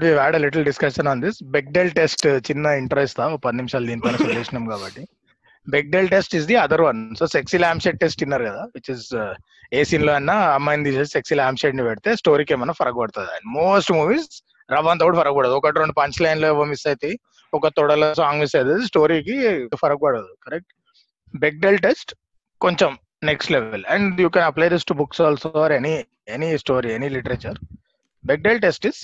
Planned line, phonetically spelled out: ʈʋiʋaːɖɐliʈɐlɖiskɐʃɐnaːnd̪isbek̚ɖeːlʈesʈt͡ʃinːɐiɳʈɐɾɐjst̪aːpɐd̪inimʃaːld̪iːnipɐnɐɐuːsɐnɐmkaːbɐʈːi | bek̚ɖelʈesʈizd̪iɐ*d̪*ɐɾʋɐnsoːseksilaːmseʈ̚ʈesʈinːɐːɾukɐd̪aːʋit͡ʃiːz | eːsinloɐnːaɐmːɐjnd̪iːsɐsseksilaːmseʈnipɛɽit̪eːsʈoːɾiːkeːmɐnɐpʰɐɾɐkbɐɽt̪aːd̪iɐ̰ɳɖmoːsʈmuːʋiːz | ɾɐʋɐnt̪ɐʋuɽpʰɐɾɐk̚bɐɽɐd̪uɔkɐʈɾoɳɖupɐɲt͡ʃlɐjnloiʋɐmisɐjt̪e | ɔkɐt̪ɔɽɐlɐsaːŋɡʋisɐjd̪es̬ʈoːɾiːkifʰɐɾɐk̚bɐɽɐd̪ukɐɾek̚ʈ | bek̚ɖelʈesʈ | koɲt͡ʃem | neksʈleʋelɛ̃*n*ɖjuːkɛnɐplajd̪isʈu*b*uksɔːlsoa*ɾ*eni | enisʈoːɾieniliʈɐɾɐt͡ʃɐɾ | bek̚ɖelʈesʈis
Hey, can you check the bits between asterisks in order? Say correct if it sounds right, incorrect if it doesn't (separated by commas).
correct, incorrect, correct, correct